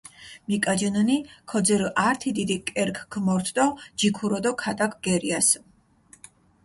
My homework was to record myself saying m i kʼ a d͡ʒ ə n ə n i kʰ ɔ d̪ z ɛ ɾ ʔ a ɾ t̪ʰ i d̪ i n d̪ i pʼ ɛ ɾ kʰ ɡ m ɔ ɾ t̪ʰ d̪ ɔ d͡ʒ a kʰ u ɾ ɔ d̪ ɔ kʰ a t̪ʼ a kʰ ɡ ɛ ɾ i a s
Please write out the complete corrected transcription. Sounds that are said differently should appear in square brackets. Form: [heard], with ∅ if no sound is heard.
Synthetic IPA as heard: m i kʼ a d͡ʒ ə n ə n i kʰ ɔ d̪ z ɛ ɾ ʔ a ɾ t̪ʰ i d̪ i [∅] d̪ i [kʼ] ɛ ɾ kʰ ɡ m ɔ ɾ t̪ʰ d̪ ɔ d͡ʒ [i] kʰ u ɾ ɔ d̪ ɔ kʰ a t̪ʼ a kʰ ɡ ɛ ɾ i a s